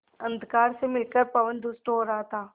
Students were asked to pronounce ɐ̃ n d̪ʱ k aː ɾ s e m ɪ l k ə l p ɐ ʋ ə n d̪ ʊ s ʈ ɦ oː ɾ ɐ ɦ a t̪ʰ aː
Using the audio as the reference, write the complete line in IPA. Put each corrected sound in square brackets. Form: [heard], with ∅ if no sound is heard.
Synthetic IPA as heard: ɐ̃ n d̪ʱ k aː ɾ s e m ɪ l k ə [ɾ] p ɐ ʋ ə n d̪ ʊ s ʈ ɦ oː ɾ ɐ ɦ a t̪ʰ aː